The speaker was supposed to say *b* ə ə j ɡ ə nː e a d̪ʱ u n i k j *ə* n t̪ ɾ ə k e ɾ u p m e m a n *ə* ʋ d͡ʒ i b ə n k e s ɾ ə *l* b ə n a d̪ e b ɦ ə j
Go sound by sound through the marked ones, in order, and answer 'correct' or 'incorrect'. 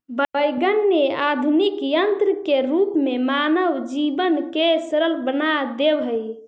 correct, correct, correct, correct

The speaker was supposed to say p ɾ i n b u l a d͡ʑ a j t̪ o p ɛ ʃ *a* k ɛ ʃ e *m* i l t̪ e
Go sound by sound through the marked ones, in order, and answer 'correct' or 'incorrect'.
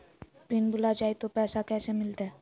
correct, correct

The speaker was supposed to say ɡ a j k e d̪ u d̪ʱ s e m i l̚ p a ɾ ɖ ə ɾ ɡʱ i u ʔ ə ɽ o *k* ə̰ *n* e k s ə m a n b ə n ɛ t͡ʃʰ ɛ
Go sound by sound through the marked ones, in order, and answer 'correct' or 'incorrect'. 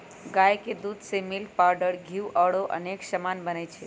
incorrect, correct

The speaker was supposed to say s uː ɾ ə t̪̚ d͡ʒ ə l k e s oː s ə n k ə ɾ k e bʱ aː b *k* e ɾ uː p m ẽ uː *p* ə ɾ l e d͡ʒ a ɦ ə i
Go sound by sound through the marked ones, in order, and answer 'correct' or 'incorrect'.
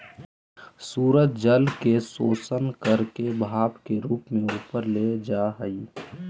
correct, correct

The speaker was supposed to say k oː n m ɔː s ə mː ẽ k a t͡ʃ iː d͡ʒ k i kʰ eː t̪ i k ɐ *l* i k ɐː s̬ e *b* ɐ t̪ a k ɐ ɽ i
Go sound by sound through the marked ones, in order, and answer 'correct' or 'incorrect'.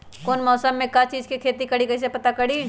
incorrect, incorrect

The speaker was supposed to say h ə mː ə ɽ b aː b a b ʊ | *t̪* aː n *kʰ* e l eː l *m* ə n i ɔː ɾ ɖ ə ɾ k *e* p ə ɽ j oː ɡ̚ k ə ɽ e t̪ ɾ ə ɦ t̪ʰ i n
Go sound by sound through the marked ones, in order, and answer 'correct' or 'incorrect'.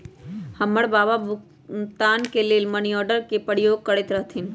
correct, incorrect, correct, correct

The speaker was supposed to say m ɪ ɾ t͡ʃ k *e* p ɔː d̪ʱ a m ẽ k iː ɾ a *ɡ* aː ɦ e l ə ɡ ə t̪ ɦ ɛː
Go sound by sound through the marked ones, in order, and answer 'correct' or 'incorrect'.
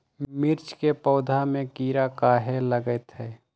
correct, incorrect

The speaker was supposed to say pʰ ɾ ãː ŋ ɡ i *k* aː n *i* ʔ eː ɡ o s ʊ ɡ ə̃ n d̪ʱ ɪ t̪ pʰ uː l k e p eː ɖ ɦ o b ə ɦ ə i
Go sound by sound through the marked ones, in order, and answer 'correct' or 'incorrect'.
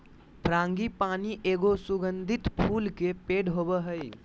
incorrect, correct

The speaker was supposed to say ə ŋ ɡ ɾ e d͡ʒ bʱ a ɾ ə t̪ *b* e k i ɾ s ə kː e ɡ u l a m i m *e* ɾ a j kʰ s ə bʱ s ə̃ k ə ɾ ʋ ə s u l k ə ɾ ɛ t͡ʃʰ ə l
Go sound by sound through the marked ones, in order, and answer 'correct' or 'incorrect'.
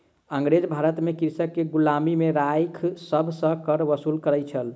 incorrect, correct

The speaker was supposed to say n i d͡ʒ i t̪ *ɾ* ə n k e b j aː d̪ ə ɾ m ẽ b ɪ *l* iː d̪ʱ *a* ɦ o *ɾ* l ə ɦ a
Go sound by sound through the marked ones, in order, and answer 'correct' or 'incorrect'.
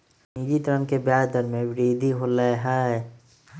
correct, incorrect, incorrect, incorrect

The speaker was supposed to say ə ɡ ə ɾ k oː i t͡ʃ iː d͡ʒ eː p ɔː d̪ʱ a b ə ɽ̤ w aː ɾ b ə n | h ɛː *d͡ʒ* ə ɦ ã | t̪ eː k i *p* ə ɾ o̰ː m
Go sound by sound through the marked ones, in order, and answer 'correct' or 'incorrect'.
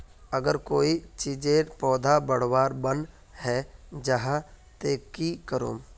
correct, incorrect

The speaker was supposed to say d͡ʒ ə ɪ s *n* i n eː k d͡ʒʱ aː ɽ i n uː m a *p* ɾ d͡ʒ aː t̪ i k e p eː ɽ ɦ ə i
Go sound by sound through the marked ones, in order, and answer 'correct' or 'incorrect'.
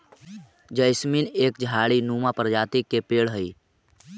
incorrect, correct

